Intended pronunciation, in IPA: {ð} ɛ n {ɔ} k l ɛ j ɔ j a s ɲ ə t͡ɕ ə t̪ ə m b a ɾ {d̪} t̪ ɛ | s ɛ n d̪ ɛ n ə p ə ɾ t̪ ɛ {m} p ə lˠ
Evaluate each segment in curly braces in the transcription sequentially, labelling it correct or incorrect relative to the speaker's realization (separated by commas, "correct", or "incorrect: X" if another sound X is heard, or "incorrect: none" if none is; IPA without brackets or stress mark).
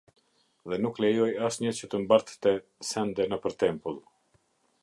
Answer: correct, incorrect: u, incorrect: t̪, correct